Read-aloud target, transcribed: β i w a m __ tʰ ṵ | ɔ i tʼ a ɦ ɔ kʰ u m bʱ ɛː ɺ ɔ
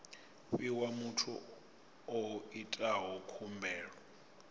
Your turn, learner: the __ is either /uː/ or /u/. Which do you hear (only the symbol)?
u